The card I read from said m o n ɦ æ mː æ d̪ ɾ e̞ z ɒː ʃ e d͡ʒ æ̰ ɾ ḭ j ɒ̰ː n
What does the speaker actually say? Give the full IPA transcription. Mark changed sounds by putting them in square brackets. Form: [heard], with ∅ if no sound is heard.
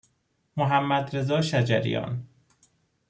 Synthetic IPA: m o [∅] ɦ æ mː æ d̪ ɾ e̞ z ɒː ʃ [æ] d͡ʒ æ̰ ɾ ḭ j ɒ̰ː n